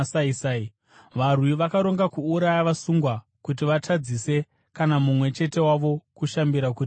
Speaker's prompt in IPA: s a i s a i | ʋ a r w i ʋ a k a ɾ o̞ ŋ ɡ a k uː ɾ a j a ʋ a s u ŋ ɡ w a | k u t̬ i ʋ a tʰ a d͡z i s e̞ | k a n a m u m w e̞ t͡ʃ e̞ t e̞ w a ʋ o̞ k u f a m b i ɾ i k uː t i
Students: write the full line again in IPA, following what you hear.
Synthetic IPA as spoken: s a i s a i | ʋ a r w i ʋ a k a ɾ o̞ ŋ ɡ a k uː ɾ a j a ʋ a s u ŋ ɡ w a | k u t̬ i ʋ a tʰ a d͡z i s e̞ | k a n a m u m w e̞ t͡ʃ e̞ t e̞ w a ʋ o̞ k u ʃ a m b i ɾ a k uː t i